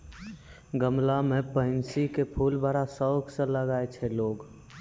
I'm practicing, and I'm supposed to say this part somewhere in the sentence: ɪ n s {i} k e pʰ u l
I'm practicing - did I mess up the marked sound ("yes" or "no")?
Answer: no